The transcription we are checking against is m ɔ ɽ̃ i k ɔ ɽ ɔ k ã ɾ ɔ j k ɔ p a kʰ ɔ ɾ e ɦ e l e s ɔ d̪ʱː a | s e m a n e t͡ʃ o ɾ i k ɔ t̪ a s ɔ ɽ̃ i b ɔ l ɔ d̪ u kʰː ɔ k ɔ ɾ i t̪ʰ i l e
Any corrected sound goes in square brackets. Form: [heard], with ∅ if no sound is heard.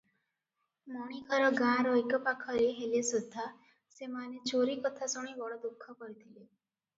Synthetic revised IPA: m ɔ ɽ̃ i k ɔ [ɾ] ɔ [ɡ] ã ɾ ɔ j k ɔ p a kʰ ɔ ɾ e ɦ e l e s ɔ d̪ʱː a | s e m a n e t͡ʃ o ɾ i k ɔ [t̪ʰ] a s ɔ ɽ̃ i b ɔ [ɽ] ɔ d̪ u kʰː ɔ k ɔ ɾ i t̪ʰ i l e